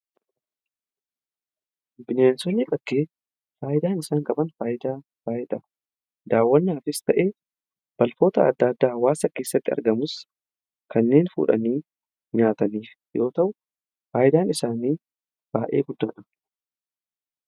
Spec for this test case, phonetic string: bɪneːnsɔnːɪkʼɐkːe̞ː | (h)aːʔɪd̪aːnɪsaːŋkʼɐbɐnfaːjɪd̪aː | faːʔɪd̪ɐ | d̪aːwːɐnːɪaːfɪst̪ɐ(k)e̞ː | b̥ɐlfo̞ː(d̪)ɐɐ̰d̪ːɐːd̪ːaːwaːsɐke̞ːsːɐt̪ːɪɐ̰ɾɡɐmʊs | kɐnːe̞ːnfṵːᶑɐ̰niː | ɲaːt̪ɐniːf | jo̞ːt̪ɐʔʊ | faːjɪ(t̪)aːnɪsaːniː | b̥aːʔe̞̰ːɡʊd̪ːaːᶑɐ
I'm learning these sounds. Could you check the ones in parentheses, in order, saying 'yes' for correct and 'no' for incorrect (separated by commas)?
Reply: no, no, no, no